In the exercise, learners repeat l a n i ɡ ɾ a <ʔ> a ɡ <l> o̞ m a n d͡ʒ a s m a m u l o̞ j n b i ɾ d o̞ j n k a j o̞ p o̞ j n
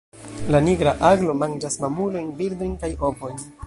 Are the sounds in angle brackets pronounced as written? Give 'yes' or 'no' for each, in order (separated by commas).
yes, yes